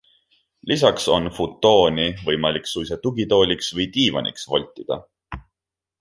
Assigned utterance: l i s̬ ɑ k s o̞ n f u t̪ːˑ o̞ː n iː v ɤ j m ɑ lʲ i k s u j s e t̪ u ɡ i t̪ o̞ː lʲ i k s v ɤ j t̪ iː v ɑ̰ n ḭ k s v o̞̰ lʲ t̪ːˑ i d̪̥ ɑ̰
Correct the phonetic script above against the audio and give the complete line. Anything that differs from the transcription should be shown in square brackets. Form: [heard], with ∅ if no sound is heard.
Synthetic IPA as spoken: l i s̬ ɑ k s o̞ n f u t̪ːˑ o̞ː n [i] v ɤ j m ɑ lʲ i k s u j s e t̪ u ɡ i t̪ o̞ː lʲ i k s v ɤ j t̪ iː v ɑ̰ n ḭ k s v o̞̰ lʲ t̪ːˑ i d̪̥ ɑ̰